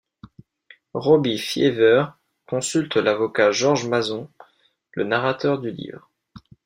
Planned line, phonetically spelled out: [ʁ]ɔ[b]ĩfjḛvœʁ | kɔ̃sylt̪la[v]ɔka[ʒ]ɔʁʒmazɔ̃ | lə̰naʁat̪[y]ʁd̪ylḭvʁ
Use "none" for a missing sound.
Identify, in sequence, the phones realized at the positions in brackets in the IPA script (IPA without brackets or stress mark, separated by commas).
ʁ, b, v, ʒ, œ